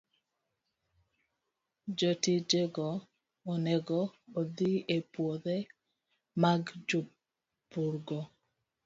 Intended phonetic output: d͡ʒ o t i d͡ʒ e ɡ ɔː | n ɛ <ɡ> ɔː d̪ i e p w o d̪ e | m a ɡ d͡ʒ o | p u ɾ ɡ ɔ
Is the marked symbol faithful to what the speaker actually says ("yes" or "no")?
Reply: yes